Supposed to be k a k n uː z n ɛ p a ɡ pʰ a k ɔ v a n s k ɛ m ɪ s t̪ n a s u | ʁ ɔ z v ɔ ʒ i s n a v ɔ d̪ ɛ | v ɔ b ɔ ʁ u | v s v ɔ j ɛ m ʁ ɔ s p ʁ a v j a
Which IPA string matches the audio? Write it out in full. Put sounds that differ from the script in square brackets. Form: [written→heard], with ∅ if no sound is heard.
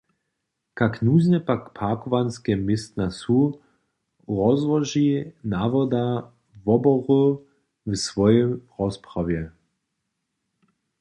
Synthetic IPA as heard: k a k n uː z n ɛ p a [ɡ→k] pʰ a k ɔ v a n s k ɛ m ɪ s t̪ n a s u | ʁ ɔ z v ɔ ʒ i [s→∅] n a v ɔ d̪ [ɛ→a] | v ɔ b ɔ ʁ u | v s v ɔ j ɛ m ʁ ɔ s p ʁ a v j [a→ɛ]